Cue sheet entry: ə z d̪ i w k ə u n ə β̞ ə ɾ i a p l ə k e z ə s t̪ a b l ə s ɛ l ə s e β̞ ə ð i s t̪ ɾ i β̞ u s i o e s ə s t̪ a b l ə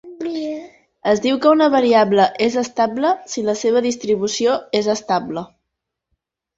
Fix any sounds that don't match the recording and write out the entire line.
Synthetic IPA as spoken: ə z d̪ i w k ə u n ə β̞ ə ɾ i a b l ə ʔ e z ə s t̪ a b l ə s i l ə s e β̞ ə ð i s t̪ ɾ i β̞ u s i o e z ə s t̪ a b l ə